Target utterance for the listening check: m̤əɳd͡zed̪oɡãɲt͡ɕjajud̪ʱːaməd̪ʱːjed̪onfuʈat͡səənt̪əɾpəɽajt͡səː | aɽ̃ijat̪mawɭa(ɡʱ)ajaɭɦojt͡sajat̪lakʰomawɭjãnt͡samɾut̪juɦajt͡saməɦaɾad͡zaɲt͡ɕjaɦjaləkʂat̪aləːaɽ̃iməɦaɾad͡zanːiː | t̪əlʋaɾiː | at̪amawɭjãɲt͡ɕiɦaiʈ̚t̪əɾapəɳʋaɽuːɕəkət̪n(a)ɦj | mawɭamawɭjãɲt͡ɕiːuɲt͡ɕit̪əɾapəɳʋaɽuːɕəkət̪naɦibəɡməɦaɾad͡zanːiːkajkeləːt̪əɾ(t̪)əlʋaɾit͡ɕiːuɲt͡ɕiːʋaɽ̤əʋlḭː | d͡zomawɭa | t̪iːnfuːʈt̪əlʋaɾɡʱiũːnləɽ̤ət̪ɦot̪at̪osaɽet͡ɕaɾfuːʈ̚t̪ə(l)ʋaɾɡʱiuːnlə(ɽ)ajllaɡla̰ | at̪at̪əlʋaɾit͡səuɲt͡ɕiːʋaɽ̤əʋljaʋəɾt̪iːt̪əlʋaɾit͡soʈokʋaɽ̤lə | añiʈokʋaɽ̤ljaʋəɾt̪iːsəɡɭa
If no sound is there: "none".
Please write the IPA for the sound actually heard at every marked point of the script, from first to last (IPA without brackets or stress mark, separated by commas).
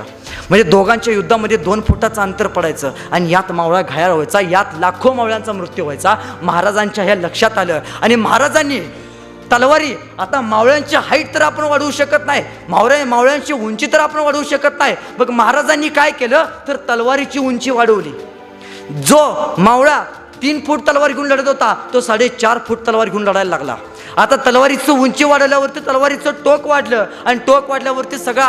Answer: ɡʱ, a, t̪, l, ɽ